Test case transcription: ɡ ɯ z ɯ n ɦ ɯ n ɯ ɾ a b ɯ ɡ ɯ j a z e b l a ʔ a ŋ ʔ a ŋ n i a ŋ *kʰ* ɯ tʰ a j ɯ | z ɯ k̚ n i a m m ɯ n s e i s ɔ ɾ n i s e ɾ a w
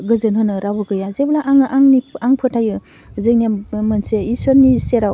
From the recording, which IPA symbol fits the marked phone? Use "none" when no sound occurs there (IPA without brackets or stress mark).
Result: pʰ